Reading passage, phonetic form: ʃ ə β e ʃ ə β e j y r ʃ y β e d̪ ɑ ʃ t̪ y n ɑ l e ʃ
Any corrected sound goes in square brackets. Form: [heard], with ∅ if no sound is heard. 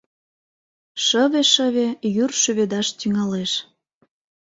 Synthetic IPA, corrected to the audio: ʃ ə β e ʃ ə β e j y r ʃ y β e d̪ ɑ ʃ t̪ y [ŋ] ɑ l e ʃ